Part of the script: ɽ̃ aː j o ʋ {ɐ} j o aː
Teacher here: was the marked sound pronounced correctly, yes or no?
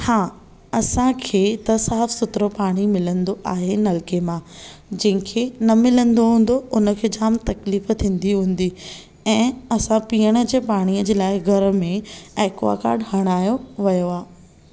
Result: yes